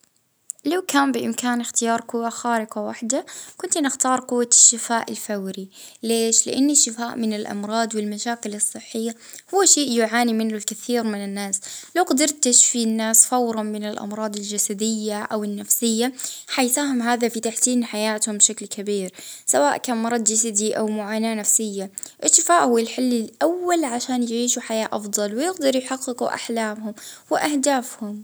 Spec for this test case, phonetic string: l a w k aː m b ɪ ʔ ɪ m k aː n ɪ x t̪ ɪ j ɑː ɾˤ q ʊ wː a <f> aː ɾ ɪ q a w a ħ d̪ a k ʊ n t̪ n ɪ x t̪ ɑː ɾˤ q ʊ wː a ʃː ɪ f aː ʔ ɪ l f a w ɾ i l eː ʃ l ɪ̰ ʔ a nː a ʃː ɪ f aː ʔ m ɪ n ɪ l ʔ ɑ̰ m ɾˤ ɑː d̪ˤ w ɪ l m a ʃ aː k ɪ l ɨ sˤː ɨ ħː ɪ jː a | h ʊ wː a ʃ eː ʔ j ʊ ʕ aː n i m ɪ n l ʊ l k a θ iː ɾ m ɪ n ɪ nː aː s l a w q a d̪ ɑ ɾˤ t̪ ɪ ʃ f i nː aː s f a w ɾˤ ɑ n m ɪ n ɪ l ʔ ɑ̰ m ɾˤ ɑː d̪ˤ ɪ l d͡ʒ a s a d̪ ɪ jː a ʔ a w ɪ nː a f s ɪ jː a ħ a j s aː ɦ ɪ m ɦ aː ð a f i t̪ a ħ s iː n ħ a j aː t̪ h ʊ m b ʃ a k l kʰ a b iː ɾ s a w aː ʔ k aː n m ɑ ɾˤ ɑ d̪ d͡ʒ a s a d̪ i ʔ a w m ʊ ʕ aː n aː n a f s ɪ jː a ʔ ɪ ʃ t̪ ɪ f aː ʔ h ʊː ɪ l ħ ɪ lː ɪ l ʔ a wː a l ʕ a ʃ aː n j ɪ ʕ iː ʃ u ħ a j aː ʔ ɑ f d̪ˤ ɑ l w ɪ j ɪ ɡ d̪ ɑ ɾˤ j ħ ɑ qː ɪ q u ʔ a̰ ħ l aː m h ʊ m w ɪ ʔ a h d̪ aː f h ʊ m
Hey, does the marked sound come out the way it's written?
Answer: no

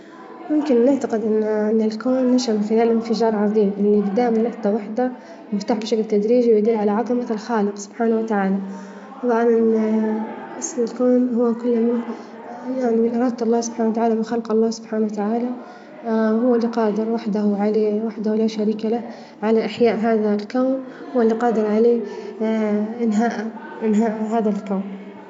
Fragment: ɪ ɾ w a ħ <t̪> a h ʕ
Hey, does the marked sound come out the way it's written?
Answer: no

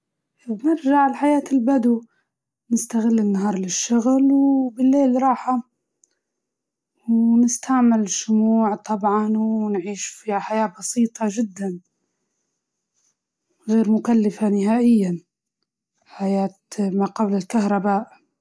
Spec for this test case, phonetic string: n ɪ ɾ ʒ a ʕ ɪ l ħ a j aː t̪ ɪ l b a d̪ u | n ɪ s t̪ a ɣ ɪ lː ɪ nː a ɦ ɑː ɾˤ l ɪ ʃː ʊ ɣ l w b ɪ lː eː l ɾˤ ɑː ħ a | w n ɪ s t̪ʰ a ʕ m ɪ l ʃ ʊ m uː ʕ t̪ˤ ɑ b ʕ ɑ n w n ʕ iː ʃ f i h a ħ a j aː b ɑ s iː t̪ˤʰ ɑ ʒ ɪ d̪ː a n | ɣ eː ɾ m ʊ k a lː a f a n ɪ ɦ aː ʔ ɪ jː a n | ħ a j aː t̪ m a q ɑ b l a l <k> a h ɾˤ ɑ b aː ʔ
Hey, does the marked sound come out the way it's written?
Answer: yes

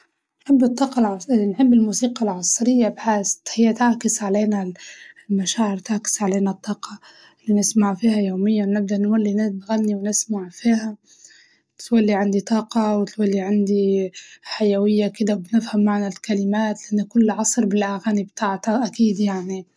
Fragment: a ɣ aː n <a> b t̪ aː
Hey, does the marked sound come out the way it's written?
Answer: no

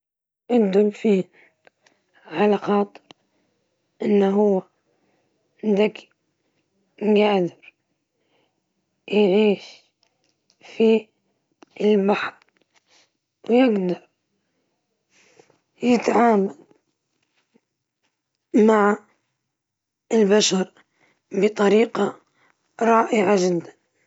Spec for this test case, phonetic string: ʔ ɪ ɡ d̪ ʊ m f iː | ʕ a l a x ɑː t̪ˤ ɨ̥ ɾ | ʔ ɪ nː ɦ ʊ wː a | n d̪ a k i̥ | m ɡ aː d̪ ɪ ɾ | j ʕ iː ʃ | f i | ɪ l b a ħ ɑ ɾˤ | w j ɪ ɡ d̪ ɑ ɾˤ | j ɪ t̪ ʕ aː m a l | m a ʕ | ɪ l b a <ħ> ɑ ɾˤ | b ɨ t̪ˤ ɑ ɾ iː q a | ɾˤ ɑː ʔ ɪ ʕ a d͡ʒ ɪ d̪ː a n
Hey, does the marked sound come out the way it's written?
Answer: no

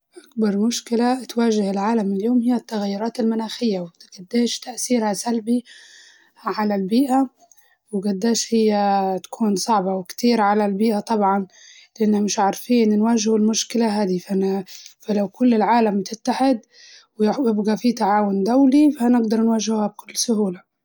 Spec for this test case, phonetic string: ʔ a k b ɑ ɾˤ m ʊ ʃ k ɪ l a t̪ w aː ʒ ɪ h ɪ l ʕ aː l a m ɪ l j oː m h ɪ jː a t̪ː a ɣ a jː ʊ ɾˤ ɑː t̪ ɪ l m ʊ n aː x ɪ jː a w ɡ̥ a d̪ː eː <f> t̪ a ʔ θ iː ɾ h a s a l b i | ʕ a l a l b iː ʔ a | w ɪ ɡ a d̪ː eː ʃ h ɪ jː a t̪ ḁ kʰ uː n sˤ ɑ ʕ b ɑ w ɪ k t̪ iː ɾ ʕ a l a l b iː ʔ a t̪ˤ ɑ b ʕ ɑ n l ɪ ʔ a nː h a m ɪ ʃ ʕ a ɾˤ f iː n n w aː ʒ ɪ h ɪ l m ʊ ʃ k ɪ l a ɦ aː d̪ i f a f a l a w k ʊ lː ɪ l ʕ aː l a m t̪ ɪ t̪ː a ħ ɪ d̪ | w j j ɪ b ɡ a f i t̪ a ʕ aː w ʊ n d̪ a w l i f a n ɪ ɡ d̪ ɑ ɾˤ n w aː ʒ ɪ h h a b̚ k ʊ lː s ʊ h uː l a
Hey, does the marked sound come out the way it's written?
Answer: no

